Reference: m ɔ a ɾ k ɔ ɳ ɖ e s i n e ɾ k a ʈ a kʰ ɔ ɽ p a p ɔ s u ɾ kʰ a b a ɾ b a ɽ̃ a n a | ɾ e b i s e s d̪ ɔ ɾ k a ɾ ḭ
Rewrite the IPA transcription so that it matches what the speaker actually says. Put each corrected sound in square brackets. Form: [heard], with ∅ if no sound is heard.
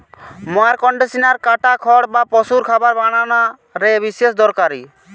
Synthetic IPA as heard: m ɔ a ɾ k ɔ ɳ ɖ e s i n [a] ɾ k a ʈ a kʰ ɔ ɽ [b] a p ɔ s u ɾ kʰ a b a ɾ b a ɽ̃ a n a | ɾ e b i s e s d̪ ɔ ɾ k a ɾ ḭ